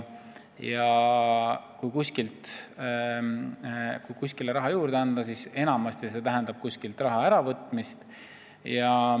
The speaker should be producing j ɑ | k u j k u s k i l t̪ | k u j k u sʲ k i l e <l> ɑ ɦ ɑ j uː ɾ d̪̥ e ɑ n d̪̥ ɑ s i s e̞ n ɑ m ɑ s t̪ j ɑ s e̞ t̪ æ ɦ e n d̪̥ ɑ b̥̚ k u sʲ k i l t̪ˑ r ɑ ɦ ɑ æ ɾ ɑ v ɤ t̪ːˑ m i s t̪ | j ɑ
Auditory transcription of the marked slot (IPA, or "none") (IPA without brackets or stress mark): ɾ